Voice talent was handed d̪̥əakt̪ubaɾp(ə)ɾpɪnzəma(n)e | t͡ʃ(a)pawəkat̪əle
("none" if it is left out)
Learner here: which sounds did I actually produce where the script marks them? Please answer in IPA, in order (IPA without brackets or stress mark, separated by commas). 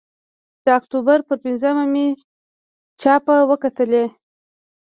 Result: ə, m, ɑ